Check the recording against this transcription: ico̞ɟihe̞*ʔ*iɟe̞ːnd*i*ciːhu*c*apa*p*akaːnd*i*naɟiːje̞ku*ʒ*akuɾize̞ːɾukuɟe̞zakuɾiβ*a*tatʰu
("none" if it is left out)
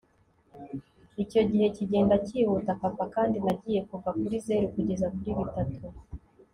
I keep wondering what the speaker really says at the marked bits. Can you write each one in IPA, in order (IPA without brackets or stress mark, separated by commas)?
c, a, t, p, i, v, i